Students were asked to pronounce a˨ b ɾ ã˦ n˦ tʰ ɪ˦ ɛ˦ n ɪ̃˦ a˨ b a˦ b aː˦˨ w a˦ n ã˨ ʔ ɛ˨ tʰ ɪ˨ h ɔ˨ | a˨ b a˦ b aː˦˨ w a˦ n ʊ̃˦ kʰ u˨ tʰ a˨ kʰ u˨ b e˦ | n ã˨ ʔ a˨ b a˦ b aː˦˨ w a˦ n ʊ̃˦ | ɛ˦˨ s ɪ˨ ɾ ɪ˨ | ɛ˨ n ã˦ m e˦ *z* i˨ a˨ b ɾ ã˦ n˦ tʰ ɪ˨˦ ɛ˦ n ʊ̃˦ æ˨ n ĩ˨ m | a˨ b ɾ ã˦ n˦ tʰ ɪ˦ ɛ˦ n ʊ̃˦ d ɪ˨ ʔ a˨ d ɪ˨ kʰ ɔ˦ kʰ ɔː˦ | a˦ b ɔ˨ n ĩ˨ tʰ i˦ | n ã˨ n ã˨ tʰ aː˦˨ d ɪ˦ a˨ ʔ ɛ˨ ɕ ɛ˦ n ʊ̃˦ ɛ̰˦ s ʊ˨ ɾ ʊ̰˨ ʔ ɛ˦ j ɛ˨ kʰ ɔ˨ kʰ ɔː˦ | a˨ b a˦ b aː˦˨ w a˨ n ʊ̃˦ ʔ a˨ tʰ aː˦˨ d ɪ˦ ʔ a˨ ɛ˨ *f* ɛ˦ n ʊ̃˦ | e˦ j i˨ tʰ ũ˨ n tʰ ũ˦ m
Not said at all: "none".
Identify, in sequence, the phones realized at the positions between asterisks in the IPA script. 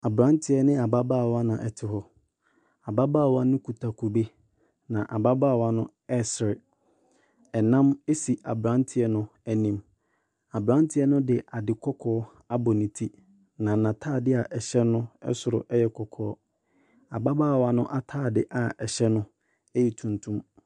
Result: s, ɕ

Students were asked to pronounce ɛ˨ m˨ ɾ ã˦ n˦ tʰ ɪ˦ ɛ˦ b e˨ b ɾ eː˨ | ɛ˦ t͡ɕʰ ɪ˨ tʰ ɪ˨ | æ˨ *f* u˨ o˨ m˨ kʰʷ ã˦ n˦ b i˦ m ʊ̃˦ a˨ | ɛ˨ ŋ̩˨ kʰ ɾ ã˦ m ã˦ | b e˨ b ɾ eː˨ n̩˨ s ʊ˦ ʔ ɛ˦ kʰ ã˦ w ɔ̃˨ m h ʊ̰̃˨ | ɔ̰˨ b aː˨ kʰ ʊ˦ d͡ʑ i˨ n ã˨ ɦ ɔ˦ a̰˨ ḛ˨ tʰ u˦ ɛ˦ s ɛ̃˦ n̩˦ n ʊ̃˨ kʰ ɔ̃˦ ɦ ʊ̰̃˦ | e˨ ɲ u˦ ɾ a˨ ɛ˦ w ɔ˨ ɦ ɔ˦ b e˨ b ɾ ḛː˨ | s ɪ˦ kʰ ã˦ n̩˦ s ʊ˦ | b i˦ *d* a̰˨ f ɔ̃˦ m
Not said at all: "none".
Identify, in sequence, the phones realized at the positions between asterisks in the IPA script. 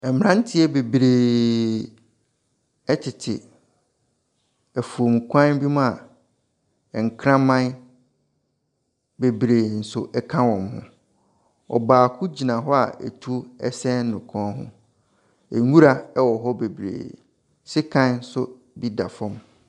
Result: f, d

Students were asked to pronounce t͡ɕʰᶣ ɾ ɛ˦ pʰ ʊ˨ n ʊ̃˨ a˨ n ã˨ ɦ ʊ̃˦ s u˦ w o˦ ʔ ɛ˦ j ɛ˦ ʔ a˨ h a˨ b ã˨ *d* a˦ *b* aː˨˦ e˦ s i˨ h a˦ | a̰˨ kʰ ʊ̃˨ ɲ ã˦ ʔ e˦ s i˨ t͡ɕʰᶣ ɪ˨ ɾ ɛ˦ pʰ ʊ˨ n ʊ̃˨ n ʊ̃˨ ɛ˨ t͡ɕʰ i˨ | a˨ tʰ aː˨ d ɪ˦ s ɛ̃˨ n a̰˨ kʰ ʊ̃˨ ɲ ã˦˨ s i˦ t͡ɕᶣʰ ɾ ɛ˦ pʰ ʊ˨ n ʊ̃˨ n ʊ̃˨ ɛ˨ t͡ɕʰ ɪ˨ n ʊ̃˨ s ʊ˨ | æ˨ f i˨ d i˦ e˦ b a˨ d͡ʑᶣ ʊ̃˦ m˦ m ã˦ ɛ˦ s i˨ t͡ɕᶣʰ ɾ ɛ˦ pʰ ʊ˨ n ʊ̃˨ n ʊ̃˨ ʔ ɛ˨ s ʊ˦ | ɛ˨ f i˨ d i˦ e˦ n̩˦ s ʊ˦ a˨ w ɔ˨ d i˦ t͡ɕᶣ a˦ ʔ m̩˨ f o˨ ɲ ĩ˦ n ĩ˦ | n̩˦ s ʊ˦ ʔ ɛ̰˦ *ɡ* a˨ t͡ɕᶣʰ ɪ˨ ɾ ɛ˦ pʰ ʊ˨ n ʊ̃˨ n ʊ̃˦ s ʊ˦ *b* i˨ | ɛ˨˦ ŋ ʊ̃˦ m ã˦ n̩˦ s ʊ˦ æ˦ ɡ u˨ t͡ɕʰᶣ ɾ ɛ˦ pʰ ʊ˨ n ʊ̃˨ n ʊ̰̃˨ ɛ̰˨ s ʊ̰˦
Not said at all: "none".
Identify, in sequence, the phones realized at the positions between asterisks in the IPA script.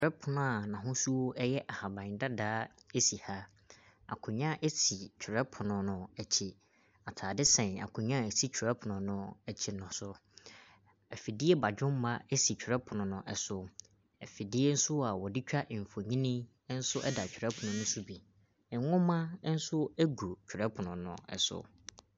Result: d, d, d, b

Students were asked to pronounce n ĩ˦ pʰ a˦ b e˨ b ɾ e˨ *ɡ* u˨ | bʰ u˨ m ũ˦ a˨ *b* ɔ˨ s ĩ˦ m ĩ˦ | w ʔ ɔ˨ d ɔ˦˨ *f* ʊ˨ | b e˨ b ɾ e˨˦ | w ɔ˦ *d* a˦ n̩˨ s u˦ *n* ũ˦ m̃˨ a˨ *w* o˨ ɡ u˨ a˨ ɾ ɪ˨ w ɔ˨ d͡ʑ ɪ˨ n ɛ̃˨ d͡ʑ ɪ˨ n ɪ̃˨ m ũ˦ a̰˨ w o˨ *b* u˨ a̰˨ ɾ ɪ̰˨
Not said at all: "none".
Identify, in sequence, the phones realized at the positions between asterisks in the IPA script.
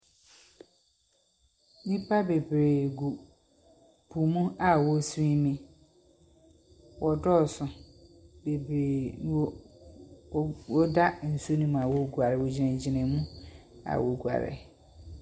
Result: ɡ, w, s, d, n, w, ɡ

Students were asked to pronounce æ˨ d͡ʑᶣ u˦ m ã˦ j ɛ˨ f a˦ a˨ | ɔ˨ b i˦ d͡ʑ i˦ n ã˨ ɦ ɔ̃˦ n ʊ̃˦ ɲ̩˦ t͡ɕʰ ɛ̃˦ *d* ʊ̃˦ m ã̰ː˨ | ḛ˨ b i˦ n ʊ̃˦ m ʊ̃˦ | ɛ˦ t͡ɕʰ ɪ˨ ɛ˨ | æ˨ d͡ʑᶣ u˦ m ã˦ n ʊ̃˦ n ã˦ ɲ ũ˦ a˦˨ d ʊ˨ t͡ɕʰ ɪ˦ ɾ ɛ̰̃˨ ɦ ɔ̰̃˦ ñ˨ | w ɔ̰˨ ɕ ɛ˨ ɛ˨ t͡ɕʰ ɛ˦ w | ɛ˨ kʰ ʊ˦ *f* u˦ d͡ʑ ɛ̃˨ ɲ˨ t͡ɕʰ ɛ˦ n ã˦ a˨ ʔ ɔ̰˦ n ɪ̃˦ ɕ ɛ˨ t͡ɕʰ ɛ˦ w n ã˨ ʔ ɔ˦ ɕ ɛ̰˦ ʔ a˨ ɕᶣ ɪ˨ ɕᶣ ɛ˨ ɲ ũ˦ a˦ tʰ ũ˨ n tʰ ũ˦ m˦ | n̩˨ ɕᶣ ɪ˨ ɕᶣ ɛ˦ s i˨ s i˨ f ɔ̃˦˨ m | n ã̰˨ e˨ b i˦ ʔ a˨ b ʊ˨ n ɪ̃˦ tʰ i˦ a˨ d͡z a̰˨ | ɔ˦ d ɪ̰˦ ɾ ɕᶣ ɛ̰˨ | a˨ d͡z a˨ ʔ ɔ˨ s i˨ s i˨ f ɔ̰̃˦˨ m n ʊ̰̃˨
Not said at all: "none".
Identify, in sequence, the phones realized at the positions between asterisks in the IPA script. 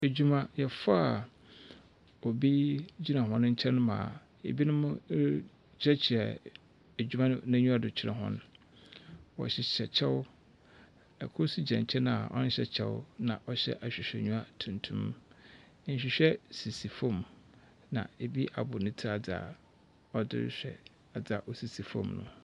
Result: n, s

